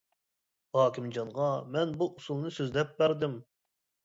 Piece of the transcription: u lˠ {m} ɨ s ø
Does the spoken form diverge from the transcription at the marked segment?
yes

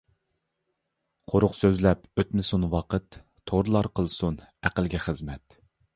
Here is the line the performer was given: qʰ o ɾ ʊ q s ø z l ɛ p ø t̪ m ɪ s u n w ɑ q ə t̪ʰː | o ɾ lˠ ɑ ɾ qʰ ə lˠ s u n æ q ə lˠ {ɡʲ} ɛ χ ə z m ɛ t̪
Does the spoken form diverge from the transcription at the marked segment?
no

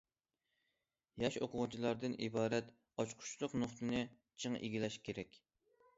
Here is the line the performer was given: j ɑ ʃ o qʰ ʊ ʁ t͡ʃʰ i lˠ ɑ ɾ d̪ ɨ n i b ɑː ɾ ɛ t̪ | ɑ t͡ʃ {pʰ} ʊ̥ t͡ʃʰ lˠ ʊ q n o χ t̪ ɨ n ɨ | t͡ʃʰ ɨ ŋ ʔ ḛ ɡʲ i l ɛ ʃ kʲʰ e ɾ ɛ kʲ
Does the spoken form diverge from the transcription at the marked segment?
yes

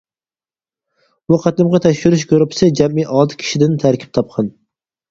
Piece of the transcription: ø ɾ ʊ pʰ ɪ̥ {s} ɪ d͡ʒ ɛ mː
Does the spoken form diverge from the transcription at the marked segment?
no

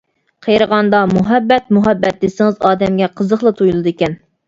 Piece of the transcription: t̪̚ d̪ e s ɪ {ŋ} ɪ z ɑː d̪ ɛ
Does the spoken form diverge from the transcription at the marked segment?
no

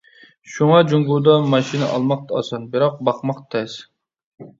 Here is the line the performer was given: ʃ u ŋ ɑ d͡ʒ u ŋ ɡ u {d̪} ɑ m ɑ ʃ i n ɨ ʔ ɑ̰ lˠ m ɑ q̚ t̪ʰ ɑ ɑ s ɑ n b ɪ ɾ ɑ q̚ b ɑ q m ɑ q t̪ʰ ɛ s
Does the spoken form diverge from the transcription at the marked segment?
no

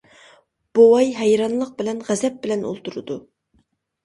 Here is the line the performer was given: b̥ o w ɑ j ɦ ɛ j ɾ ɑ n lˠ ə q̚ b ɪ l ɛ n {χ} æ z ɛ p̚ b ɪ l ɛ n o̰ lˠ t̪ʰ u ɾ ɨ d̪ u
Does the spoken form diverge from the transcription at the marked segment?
yes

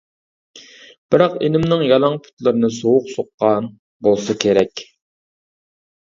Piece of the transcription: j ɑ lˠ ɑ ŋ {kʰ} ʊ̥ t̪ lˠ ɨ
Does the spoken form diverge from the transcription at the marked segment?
yes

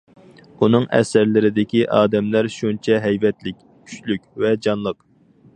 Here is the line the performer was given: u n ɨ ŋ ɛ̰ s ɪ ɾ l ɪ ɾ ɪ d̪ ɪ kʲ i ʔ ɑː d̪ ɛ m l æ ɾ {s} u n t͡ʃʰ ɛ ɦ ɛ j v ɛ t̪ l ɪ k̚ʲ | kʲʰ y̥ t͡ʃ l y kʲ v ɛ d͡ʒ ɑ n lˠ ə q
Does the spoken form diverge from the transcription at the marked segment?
yes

